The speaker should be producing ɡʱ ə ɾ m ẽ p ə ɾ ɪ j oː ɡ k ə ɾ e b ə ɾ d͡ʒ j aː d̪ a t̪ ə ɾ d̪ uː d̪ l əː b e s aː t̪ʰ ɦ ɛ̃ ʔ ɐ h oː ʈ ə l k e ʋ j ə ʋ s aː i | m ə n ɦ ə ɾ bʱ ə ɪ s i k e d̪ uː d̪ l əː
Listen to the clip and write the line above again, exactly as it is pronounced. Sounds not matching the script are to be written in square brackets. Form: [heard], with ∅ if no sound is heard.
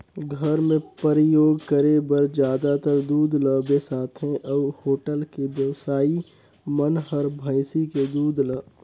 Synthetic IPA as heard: ɡʱ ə ɾ m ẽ p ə ɾ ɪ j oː ɡ k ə ɾ e b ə ɾ d͡ʒ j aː d̪ a t̪ ə ɾ d̪ uː d̪ l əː b e s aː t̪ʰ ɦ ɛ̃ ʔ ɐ h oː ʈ ə l k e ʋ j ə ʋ s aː i | m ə n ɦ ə ɾ bʱ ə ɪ s i k e d̪ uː d̪ l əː